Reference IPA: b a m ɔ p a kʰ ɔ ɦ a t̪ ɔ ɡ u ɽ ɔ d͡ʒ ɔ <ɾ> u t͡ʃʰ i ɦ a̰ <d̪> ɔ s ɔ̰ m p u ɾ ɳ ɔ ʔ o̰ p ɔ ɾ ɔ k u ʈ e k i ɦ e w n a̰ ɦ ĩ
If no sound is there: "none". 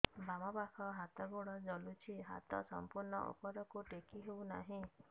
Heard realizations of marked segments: l, t̪

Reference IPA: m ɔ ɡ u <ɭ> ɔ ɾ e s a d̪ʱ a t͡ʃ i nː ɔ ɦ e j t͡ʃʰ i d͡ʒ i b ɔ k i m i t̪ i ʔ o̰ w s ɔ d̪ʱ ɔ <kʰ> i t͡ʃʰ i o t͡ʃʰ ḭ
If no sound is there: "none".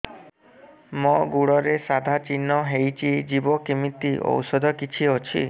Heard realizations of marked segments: ɽ, k

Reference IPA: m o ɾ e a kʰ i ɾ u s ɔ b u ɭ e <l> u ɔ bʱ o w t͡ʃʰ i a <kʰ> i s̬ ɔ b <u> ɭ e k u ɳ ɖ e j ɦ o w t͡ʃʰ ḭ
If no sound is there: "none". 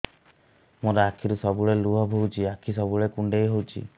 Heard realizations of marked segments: l, kʰ, u

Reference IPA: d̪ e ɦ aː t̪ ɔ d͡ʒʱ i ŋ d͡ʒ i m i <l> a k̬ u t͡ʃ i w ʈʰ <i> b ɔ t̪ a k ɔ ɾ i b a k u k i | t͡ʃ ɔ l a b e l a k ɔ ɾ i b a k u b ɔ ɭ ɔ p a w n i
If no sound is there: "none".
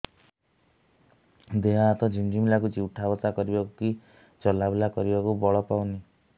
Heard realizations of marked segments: l, a

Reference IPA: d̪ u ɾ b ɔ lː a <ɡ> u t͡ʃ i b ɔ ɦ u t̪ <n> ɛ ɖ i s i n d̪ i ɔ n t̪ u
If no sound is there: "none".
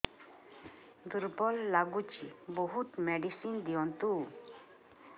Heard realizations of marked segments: ɡ, m

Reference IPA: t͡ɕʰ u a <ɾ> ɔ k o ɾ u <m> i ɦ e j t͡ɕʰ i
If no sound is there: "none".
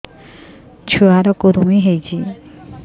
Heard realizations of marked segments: ɾ, m

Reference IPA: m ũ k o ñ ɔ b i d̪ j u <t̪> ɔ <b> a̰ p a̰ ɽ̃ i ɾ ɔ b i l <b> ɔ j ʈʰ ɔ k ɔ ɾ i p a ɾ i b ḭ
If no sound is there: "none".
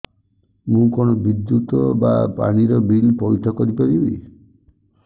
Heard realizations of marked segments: t̪, b, p

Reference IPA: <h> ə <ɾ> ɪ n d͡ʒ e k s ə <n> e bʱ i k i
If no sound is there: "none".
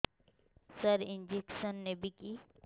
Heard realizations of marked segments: s, ɾ, nː

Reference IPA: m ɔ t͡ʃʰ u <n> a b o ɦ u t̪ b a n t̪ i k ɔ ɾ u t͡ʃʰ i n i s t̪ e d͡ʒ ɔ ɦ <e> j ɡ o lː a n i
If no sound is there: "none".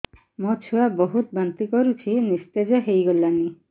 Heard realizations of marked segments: none, e

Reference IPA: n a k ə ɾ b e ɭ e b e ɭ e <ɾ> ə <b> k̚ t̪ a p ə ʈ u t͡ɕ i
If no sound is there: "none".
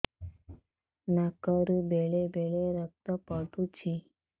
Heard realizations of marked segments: ɾ, none

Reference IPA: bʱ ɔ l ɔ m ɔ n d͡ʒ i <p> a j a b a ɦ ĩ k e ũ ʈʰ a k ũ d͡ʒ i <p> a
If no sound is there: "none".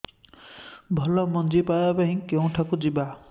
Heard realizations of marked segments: p, b

